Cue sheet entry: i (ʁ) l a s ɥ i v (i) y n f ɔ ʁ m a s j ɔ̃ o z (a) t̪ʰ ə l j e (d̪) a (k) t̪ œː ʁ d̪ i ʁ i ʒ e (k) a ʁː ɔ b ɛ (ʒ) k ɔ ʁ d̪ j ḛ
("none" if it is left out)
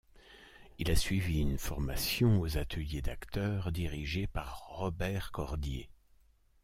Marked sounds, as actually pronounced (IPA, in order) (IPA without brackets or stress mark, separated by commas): none, i, a, d̪, k, p, ʁ